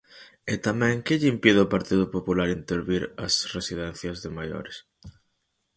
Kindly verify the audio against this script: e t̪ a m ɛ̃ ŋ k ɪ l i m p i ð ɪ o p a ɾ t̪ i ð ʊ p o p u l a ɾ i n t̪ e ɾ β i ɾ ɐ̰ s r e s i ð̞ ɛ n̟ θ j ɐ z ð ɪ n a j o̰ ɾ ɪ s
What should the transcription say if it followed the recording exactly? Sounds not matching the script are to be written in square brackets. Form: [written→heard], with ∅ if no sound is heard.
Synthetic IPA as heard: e t̪ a m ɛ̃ ŋ k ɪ [l→ʎ] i m p i ð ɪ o p a ɾ t̪ i ð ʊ p o p u l a ɾ i n t̪ e ɾ β i ɾ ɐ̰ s r e s i ð̞ ɛ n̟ θ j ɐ z ð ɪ [n→m] a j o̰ ɾ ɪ s